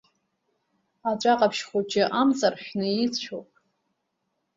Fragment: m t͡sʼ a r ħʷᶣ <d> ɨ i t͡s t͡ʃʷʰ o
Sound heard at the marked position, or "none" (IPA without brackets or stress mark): n